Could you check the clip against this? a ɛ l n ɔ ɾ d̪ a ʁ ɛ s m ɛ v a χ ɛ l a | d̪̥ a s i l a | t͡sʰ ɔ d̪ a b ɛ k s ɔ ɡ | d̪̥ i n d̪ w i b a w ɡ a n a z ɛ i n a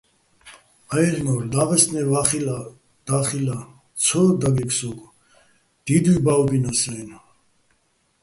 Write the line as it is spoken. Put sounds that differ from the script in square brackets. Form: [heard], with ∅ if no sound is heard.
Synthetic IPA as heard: a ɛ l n ɔ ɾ d̪ a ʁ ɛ s [n] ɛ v a χ [i] l a | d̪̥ a [χ] i l a | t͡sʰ ɔ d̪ a [ɡ] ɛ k s ɔ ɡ | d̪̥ i [∅] d̪ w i b a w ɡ [i] n a [s] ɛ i n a